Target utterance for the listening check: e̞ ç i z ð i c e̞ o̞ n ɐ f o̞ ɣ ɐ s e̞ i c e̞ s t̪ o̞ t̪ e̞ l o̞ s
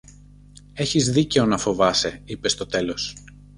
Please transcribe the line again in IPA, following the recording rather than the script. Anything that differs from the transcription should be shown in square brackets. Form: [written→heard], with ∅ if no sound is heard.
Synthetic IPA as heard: e̞ ç i z ð i c e̞ o̞ n ɐ f o̞ [ɣ→v] ɐ s e̞ i [c→p] e̞ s t̪ o̞ t̪ e̞ l o̞ s